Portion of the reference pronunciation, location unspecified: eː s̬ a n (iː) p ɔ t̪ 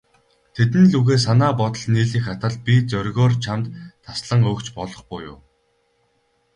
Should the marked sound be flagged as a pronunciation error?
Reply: yes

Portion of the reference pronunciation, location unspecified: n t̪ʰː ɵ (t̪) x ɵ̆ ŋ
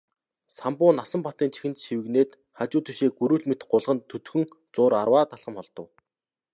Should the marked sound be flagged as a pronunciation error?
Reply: no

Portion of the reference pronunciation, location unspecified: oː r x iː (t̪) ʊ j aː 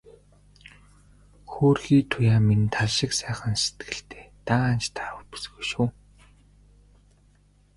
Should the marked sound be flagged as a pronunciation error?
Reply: yes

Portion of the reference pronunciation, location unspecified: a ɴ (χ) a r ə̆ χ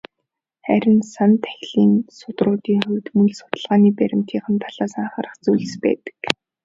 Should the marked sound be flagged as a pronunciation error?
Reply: no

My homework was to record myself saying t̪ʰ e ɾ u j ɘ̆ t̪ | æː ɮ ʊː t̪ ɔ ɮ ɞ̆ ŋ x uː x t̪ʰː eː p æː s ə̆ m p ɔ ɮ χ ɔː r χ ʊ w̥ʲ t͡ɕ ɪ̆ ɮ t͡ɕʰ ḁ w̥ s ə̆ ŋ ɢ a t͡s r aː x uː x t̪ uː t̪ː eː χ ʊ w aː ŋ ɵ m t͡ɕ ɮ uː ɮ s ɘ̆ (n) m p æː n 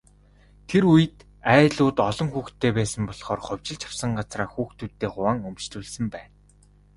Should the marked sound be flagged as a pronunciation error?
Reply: yes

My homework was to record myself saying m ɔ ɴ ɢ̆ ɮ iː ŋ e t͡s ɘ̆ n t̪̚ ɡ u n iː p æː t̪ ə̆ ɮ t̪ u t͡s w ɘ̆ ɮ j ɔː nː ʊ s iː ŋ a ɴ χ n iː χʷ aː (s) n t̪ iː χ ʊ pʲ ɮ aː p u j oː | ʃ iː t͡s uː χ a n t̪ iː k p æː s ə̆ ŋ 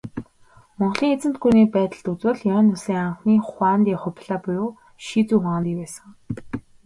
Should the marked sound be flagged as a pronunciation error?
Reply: yes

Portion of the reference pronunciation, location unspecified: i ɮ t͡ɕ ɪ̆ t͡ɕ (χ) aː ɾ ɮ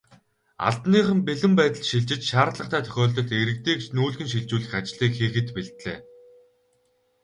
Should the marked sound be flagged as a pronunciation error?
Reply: yes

